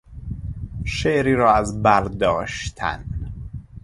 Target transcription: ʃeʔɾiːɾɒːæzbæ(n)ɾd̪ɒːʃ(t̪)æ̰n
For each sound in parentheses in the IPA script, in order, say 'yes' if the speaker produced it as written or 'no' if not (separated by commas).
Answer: no, no